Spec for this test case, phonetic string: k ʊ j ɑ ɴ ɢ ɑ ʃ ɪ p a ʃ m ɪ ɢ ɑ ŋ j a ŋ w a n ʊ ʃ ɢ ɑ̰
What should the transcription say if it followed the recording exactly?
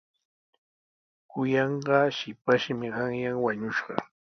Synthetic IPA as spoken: k ʊ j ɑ ɴ ɢ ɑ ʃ ɪ p a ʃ m ɪ ɢ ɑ ŋ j a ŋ w a ɲ ʊ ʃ ɢ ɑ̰